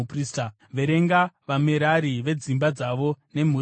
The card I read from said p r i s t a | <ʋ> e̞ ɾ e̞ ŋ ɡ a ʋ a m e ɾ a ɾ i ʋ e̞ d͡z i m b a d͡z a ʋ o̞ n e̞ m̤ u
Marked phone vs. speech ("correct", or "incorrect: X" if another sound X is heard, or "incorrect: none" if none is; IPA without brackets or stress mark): correct